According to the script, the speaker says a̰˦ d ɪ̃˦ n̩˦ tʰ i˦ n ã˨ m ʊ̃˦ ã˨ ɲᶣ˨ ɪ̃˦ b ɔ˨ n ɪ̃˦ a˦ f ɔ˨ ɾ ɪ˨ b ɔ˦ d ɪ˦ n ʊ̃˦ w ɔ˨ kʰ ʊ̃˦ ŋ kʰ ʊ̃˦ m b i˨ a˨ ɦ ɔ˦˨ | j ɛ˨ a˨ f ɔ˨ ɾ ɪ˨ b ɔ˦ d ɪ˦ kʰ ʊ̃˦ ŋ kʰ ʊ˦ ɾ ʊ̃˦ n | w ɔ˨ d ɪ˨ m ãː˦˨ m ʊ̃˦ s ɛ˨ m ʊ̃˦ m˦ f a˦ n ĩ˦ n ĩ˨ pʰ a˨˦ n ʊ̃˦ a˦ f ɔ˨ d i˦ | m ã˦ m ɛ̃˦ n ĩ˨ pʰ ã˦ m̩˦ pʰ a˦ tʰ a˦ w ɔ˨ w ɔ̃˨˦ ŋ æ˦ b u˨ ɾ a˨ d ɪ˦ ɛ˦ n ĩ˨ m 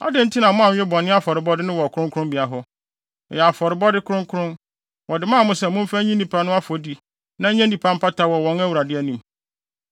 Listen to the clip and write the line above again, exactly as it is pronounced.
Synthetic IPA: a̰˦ d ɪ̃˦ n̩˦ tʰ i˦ n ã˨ m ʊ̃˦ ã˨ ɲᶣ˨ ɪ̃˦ b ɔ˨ n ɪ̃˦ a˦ f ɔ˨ ɾ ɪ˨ b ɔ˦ d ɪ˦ n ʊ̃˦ w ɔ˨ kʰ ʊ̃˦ ŋ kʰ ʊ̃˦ m b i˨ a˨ ɦ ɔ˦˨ | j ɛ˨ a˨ f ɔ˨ ɾ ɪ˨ b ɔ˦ d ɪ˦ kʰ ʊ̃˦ ŋ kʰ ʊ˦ ɾ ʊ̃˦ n | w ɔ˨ d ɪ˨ m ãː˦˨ m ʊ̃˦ s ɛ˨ m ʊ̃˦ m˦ f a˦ ɲ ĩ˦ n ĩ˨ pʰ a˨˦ n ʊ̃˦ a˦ f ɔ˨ d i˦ | n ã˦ ɲ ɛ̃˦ n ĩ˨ pʰ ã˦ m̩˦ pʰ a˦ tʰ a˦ w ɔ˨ w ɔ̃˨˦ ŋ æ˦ w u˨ ɾ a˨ d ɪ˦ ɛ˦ n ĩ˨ m